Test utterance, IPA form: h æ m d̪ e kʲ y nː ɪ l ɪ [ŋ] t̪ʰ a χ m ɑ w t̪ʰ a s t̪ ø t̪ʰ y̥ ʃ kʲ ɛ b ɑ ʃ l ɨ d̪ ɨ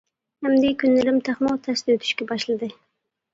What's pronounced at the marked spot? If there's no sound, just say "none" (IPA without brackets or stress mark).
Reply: m